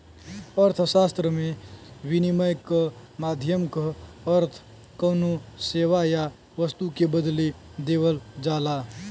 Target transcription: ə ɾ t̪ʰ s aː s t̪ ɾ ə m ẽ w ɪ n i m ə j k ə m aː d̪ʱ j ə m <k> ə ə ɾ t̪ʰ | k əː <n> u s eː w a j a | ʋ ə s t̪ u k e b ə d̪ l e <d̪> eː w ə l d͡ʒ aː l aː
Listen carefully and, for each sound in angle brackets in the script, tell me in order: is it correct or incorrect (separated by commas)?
correct, correct, correct